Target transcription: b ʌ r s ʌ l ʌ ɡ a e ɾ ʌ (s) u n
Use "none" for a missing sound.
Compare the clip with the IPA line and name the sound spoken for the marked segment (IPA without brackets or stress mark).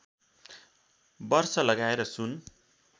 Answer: s